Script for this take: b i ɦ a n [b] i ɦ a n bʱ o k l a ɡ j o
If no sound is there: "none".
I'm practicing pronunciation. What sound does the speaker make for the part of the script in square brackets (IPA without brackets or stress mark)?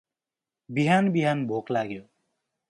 b